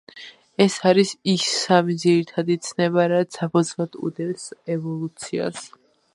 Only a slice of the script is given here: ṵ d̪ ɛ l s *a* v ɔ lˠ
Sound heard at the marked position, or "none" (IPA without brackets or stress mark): ɛ